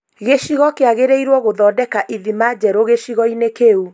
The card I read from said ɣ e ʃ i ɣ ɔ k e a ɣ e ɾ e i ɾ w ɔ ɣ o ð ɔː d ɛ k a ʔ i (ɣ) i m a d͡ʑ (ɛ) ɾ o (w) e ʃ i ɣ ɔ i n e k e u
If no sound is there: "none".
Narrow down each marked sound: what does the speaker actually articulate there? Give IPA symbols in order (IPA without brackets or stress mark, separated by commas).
ð, ɛ, ɣ